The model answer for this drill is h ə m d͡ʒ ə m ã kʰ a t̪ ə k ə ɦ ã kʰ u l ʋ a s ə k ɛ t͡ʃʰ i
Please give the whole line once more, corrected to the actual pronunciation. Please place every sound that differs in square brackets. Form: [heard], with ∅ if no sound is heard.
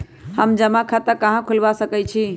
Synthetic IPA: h ə m d͡ʒ ə m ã kʰ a t̪ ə k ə ɦ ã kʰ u l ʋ a s ə k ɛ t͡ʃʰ i

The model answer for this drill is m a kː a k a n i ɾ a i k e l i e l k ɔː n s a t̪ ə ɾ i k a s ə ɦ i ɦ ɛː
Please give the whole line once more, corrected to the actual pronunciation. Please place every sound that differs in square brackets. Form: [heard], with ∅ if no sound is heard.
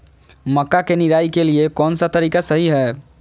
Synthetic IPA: m [ə] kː a k [e] n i ɾ a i k e l i e [∅] k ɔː n s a t̪ ə ɾ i k a s ə ɦ i ɦ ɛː

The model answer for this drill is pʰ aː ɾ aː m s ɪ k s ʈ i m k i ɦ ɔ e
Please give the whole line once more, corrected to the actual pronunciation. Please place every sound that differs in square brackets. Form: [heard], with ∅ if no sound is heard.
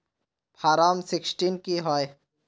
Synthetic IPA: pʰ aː ɾ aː m s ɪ k s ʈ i [n] k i ɦ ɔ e

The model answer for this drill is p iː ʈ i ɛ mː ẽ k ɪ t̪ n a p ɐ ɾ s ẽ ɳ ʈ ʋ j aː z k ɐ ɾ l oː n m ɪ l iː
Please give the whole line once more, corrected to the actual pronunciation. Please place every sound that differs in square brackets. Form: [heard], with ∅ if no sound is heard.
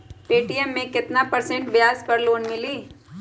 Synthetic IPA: p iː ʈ i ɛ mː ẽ k ɪ t̪ n a p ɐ ɾ s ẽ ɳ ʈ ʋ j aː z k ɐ ɾ l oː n m ɪ l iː

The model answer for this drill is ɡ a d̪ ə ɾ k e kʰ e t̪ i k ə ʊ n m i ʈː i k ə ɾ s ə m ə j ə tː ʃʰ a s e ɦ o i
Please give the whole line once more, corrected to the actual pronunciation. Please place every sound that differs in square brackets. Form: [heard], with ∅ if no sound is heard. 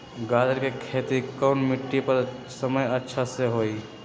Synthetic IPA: ɡ a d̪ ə ɾ k e kʰ e t̪ i k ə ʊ n m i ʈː i [p] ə ɾ s ə m ə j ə tː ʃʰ a s e ɦ o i

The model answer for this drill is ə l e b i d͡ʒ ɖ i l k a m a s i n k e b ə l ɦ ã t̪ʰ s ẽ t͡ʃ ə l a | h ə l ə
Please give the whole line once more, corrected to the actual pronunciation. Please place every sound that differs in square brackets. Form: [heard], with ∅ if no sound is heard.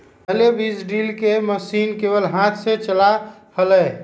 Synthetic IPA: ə l e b i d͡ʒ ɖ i l k [e] m [ə] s i n k e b ə l ɦ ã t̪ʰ s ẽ t͡ʃ ə l a | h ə l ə

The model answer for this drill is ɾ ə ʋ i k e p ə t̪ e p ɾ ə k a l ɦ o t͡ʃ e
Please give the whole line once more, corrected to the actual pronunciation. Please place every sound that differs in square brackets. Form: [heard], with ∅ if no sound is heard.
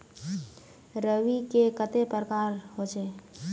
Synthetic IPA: ɾ ə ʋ i k e [k] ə t̪ e p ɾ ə k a [ɾ] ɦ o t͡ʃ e

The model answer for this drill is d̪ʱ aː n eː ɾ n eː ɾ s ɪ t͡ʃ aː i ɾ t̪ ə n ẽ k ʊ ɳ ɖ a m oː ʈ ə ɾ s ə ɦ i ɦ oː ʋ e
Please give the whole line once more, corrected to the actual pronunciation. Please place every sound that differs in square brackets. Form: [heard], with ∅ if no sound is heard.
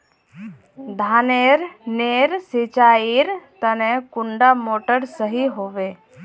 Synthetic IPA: d̪ʱ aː n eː ɾ n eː ɾ s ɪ t͡ʃ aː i ɾ t̪ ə n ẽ k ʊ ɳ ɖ a m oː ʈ ə ɾ s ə ɦ i ɦ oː ʋ e

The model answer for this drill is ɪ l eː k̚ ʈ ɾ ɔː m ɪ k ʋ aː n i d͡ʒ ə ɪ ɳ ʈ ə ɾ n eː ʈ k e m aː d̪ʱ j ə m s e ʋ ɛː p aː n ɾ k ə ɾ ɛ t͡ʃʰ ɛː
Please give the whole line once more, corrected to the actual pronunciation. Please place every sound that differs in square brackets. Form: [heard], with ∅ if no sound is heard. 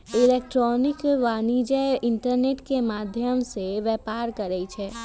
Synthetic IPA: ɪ l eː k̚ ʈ ɾ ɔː [n] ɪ k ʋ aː n i d͡ʒ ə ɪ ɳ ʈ ə ɾ n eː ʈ k e m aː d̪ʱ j ə m s e ʋ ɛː p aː [∅] ɾ k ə ɾ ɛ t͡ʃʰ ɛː

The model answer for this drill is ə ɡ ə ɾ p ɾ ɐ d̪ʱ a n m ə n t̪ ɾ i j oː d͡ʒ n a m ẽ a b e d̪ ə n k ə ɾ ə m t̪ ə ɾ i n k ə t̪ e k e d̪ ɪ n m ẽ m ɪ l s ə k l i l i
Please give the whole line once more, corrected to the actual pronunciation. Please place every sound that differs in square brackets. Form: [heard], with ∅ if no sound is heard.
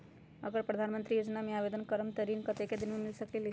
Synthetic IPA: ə ɡ ə ɾ p ɾ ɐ d̪ʱ a n m ə n t̪ ɾ i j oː d͡ʒ n a m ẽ a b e d̪ ə n k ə ɾ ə m t̪ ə ɾ i n k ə t̪ e k e d̪ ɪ n m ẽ m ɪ l s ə k l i l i

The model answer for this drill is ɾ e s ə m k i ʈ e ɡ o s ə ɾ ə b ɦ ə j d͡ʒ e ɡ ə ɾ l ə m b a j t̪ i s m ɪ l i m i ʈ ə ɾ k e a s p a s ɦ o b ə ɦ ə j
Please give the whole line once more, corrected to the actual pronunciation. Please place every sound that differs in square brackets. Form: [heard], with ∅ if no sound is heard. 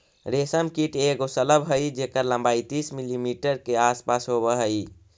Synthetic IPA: ɾ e s ə m k i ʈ e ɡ o s ə [l] ə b ɦ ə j d͡ʒ e [k] ə ɾ l ə m b a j t̪ i s m [i] l i m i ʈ ə ɾ k e a s p a s ɦ o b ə ɦ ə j

